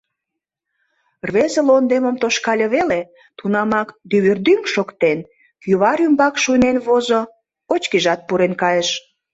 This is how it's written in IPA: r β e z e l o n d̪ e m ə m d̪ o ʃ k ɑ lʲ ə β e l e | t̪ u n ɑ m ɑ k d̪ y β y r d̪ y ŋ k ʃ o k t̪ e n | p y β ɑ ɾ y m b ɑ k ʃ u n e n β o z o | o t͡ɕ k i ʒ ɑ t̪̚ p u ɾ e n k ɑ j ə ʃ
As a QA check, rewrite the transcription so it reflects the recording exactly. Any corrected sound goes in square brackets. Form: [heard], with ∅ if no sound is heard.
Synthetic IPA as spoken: r β e z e l o n d̪ e m ə m [t̪] o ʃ k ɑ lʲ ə β e l e | t̪ u n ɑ m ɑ k d̪ y β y r d̪ y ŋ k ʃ o k t̪ e n | [k] y β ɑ ɾ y m b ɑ k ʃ u n e n β o z o | o t͡ɕ k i ʒ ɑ t̪̚ p u ɾ e n k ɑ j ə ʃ